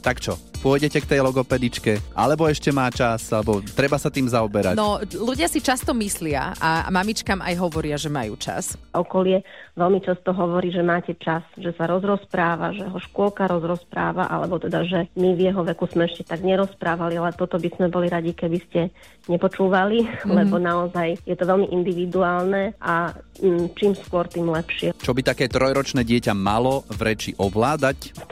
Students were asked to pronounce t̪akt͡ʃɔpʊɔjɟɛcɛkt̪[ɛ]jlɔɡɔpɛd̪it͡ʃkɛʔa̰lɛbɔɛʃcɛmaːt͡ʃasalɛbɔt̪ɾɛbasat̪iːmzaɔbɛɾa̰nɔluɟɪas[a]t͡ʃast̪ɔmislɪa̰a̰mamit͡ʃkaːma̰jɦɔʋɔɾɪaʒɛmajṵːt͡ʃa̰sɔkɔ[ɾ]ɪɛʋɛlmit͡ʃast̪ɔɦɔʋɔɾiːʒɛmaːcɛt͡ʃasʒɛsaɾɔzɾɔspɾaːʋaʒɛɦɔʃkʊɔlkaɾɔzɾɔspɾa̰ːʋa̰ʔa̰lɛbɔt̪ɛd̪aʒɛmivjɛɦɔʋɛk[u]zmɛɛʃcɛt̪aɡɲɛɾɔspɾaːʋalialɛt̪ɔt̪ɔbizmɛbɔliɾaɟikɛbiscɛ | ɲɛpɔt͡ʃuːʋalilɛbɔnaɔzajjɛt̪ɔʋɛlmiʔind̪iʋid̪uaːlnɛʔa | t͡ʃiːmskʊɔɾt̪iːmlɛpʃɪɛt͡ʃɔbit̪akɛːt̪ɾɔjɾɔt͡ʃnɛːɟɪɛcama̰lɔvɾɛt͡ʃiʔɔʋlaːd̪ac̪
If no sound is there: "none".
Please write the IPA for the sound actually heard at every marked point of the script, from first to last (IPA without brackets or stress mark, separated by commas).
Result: ɛ, i, l, u